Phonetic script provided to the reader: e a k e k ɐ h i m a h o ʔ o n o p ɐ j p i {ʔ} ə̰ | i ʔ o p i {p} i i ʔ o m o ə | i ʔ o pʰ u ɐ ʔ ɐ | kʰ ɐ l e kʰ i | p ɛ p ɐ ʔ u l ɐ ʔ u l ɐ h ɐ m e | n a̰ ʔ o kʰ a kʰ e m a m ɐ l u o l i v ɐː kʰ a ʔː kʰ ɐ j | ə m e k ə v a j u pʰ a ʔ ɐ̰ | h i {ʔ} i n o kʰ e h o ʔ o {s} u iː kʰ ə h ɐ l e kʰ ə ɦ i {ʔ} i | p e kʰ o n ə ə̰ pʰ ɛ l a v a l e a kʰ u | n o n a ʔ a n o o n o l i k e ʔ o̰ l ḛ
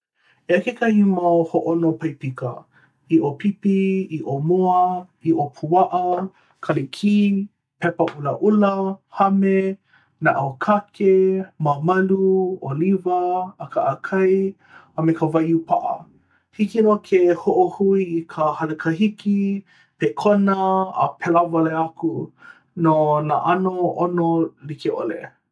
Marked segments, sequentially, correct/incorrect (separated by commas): incorrect, correct, incorrect, incorrect, incorrect